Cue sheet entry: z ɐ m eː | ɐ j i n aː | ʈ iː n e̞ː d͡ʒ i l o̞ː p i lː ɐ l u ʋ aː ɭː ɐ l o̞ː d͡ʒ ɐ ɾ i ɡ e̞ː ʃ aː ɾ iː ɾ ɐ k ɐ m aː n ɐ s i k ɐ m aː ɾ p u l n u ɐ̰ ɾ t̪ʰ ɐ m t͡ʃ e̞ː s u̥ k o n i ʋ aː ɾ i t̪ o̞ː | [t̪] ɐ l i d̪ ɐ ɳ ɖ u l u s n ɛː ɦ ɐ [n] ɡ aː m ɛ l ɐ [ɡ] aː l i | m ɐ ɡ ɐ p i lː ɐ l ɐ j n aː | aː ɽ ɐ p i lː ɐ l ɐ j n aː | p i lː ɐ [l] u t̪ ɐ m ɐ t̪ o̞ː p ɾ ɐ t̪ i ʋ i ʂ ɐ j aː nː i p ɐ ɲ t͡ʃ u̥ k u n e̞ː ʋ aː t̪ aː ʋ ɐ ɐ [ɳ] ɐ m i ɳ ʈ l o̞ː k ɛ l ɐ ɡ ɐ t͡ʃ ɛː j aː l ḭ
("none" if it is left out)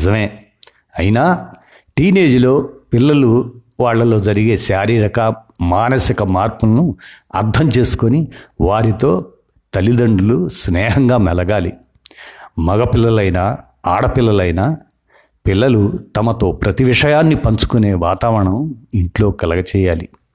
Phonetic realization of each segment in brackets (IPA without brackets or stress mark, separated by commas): t̪, ŋ, ɡ, l, ɳ